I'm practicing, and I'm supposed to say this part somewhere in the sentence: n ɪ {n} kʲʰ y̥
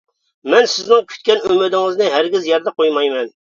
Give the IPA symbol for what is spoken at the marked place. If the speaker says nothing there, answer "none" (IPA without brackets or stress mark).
ŋ